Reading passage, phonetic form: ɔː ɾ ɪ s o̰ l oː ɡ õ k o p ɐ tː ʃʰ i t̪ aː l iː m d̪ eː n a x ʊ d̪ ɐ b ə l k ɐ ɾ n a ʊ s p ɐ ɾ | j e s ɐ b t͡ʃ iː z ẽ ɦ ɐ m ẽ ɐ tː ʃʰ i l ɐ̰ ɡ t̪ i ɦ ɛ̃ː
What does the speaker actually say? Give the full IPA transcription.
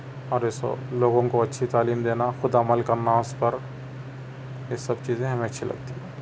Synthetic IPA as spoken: ɔː ɾ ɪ s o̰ l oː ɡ õ k o ɐ tː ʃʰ i t̪ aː l iː m d̪ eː n a x ʊ d̪ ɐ m ə l k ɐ ɾ n a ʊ s p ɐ ɾ | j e s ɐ b t͡ʃ iː z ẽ ɦ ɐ m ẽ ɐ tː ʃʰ i l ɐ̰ ɡ t̪ i ɦ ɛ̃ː